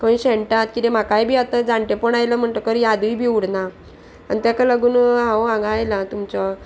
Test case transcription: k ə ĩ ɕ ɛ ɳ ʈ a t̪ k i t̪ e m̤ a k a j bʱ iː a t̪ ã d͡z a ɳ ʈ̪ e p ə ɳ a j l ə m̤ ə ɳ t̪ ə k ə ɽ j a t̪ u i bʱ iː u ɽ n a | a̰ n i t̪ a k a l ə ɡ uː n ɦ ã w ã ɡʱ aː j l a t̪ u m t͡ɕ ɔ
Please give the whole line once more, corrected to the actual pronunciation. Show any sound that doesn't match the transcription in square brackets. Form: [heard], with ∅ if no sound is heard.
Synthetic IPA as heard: k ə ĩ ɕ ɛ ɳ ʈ a t̪ k i t̪ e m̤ a k a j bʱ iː a t̪ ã d͡z a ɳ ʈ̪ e p ə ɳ a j l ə m̤ ə ɳ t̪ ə k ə [ɾ] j a [d̪] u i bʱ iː u ɽ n a | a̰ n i t̪ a k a l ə ɡ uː n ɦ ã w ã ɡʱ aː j l a t̪ u m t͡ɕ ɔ